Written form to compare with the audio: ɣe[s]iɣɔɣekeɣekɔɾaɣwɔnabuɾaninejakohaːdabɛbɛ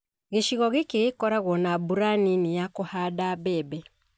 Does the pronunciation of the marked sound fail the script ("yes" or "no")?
yes